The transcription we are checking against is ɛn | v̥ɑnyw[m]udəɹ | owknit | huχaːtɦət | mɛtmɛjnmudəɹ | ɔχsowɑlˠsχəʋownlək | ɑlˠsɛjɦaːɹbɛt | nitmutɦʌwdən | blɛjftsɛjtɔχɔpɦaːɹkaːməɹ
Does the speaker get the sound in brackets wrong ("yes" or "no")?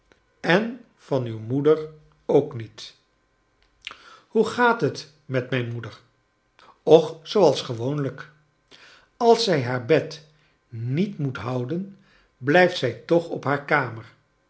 no